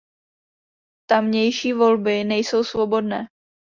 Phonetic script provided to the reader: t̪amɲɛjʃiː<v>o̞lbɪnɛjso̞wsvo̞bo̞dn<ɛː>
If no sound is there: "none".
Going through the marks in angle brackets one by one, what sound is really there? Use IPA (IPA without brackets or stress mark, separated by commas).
v, ɛː